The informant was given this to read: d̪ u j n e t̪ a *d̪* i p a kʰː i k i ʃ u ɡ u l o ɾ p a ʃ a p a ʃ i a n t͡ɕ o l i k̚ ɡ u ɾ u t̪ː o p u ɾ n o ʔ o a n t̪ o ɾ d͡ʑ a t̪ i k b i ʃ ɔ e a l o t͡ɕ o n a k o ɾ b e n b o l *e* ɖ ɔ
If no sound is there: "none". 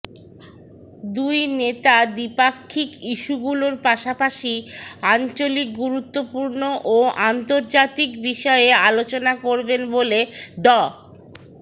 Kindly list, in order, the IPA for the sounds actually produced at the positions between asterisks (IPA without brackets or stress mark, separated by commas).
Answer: d̪, e